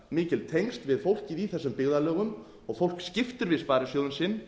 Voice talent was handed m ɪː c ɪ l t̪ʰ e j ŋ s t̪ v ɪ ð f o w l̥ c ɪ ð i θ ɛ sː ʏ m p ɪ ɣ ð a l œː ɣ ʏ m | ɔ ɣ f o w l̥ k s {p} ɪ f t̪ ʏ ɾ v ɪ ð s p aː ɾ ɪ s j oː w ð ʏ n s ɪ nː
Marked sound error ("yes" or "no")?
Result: yes